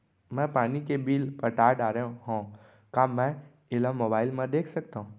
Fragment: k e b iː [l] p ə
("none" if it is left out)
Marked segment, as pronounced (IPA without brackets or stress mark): l